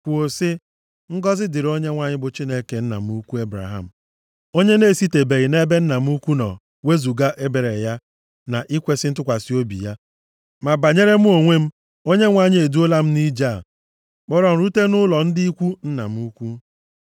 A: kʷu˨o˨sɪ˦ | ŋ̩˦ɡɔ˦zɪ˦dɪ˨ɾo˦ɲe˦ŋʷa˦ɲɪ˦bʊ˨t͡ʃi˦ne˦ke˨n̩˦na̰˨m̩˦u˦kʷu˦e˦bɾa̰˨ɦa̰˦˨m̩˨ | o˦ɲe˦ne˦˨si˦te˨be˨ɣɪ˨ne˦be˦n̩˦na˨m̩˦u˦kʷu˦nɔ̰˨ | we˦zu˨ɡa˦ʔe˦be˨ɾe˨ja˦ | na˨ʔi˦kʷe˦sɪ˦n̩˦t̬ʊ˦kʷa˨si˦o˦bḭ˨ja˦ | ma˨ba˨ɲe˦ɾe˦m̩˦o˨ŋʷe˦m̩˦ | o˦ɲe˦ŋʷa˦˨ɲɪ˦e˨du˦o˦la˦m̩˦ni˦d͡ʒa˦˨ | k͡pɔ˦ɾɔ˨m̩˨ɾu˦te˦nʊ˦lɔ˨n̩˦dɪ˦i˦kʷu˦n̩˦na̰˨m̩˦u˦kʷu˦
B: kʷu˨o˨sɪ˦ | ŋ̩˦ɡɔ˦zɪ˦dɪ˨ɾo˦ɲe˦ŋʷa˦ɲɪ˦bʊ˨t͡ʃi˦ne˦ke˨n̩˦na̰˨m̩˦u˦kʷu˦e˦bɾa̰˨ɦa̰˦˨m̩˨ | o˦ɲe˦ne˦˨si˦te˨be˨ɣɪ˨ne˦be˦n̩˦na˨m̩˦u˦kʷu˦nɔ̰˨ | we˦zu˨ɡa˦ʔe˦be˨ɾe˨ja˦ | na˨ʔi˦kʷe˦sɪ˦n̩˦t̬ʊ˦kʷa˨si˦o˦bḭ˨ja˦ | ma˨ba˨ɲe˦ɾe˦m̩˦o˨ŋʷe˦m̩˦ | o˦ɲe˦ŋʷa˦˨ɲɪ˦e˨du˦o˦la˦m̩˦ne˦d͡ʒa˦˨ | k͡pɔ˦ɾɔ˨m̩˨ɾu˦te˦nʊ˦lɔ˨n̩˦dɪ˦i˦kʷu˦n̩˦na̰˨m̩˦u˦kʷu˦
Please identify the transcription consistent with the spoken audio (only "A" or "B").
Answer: A